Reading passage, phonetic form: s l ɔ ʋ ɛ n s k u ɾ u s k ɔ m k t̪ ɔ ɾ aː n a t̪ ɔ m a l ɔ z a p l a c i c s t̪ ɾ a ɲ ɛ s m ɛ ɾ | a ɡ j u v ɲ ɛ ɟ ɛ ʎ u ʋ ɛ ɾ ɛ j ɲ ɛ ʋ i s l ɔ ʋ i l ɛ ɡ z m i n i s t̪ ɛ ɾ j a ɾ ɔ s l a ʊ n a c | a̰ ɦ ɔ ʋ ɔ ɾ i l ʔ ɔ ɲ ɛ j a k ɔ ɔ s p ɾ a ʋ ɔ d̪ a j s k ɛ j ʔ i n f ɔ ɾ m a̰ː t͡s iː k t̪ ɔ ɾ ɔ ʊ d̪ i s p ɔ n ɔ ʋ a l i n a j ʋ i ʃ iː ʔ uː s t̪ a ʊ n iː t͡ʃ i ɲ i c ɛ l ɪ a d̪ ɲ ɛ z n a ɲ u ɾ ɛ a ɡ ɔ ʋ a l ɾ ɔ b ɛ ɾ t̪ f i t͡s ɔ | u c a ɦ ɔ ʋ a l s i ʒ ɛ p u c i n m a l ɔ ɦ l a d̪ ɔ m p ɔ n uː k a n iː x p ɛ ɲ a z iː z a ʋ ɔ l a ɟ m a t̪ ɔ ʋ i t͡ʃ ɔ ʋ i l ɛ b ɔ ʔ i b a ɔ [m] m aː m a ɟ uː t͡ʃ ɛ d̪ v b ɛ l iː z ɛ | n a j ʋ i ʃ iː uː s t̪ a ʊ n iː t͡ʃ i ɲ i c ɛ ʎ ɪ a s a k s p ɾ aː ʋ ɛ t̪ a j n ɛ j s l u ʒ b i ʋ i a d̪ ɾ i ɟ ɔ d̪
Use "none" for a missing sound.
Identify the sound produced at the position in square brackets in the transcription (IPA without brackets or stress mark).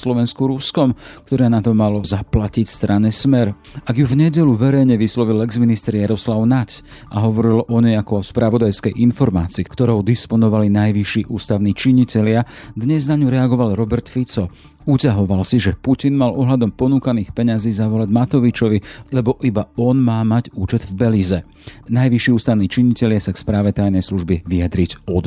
n